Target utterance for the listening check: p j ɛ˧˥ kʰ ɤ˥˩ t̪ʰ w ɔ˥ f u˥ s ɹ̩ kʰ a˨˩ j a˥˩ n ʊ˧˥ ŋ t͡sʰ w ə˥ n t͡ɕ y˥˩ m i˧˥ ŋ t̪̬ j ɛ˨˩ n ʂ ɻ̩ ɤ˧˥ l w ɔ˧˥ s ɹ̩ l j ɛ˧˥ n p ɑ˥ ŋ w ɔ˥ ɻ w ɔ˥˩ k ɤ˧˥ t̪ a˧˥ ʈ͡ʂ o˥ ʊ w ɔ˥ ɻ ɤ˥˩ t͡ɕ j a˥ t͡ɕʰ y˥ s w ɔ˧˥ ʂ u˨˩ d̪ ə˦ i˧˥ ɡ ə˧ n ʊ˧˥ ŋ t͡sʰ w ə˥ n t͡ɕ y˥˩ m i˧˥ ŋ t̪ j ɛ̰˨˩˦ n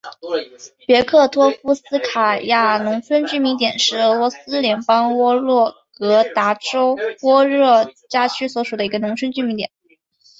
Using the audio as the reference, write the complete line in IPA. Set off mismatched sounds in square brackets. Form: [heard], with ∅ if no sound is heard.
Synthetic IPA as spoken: p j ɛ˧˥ kʰ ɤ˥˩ t̪ʰ w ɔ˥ f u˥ s ɹ̩ kʰ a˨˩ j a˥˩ n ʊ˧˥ ŋ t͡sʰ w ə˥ n t͡ɕ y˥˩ m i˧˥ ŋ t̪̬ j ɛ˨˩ n ʂ ɻ̩ ɤ˧˥ l w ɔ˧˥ s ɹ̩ l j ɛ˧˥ n p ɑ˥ ŋ w ɔ˥ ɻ w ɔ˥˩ k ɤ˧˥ t̪ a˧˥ ʈ͡ʂ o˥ ʊ w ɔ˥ ɻ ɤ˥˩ t͡ɕ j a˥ t͡ɕʰ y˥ s w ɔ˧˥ ʂ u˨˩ d̪ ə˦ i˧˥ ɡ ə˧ n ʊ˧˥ ŋ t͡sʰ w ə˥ n t͡ɕ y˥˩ m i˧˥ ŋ t̪ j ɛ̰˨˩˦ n